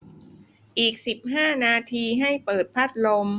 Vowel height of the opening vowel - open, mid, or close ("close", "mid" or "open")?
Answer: close